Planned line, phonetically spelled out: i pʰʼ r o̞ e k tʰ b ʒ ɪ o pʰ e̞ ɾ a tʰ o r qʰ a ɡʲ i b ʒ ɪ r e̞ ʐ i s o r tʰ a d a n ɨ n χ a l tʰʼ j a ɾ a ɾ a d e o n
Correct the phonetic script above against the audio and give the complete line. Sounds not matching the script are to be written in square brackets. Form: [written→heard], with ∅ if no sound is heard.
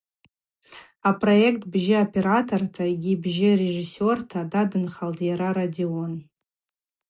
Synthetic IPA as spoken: [i→a] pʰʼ r o̞ e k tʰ b ʒ ɪ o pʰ e̞ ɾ a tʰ o r [qʰ→tʰ] a ɡʲ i b ʒ ɪ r e̞ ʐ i s o r tʰ a d a [n→d] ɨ n χ a l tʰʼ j a ɾ a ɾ a d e o n